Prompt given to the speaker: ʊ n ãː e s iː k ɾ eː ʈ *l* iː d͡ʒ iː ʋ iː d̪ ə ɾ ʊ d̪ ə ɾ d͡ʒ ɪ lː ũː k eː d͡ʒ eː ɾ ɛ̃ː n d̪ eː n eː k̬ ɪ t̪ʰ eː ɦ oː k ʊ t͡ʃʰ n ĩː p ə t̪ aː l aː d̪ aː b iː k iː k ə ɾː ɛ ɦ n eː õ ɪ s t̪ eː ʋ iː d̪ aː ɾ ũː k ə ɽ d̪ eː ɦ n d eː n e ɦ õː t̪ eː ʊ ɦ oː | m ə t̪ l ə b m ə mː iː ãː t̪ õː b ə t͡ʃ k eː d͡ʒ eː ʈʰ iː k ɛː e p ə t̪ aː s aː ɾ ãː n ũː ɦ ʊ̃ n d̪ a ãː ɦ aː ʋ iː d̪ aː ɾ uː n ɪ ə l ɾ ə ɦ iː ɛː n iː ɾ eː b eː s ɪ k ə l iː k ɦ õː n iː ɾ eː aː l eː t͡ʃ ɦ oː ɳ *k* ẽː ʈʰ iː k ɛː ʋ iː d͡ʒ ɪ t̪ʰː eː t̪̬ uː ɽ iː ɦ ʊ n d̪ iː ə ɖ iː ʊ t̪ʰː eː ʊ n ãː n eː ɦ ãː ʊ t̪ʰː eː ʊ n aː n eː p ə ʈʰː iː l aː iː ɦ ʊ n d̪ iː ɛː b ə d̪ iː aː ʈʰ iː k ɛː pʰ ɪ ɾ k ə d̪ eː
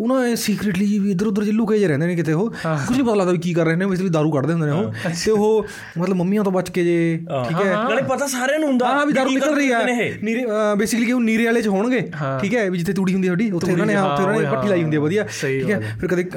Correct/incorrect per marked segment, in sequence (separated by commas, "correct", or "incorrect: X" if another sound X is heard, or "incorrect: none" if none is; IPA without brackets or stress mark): correct, incorrect: ɡ